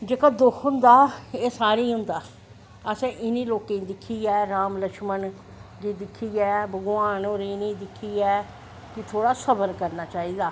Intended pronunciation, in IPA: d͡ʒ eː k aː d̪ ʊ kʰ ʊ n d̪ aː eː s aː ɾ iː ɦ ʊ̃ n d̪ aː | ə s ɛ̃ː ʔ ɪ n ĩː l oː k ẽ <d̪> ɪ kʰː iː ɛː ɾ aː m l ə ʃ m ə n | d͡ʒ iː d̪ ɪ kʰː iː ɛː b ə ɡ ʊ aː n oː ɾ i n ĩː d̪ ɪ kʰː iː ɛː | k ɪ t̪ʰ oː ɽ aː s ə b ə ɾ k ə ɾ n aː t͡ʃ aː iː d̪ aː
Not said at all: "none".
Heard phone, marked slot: d̪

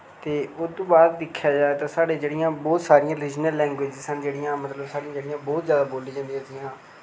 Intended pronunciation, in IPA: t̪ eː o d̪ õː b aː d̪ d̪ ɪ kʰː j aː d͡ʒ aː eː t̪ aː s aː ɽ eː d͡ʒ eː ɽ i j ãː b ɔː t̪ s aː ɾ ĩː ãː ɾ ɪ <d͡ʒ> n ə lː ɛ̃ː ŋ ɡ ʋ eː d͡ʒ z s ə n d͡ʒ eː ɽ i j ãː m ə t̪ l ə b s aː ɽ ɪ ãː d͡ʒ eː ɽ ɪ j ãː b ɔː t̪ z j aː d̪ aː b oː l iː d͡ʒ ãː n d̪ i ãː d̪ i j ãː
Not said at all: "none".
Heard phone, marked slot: d͡ʒ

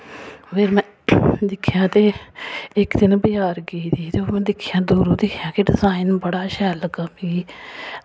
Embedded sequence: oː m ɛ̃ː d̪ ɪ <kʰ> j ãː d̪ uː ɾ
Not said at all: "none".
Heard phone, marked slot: kʰ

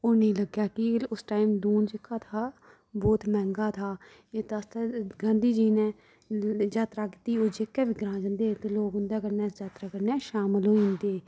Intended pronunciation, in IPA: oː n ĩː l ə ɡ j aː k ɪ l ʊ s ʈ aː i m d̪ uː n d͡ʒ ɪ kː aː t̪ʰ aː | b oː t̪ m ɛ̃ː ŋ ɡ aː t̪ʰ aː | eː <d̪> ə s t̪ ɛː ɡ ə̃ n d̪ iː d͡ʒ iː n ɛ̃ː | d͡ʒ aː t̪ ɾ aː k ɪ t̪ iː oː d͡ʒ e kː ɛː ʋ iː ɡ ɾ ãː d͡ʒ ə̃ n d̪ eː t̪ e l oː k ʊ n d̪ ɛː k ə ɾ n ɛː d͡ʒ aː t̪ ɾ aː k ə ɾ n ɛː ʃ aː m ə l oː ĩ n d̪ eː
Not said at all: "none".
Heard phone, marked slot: t̪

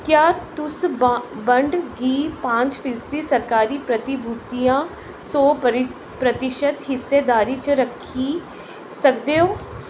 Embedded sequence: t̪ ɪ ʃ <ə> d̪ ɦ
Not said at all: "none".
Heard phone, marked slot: ə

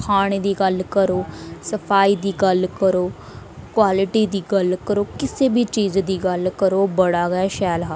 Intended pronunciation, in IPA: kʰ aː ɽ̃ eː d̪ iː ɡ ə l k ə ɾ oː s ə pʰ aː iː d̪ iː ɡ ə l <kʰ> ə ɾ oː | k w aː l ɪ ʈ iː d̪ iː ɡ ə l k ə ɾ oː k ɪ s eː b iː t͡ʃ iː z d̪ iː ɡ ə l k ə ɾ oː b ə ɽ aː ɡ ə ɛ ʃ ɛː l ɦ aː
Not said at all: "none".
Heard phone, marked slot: k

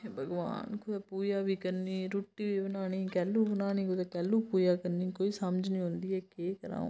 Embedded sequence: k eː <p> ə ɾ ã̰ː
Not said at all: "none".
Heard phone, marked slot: k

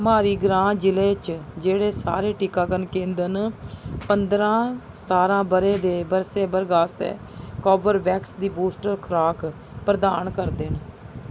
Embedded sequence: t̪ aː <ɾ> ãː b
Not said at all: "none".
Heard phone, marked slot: ɾ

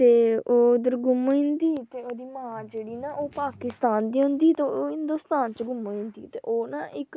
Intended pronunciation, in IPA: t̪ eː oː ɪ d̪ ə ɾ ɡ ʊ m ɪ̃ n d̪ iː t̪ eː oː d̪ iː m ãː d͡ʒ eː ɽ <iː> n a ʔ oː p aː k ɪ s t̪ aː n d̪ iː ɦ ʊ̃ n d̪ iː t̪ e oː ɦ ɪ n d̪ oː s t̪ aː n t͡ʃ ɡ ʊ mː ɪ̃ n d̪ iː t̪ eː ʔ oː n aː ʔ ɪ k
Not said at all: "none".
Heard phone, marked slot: iː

